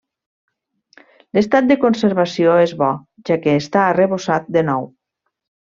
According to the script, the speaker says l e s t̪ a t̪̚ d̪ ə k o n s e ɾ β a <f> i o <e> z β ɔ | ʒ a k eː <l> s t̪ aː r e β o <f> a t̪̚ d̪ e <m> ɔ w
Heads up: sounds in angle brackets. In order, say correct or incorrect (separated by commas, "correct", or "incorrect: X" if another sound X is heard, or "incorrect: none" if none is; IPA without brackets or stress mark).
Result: incorrect: s, correct, incorrect: none, incorrect: s, incorrect: n